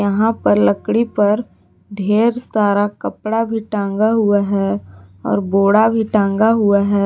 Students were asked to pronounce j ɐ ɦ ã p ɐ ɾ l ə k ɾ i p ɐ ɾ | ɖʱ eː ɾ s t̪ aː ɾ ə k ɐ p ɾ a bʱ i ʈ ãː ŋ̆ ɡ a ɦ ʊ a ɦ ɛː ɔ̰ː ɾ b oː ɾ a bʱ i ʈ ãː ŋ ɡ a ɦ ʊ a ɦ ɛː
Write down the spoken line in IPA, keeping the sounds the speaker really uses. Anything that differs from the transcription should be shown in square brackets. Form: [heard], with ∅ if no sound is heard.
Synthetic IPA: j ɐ ɦ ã p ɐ ɾ l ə k [ɽ] i p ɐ ɾ | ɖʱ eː ɾ s t̪ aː ɾ [a] k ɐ p [ɽ] a bʱ i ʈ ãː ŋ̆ ɡ a ɦ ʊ a ɦ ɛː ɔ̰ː ɾ b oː [ɽ] a bʱ i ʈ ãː ŋ ɡ a ɦ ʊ a ɦ ɛː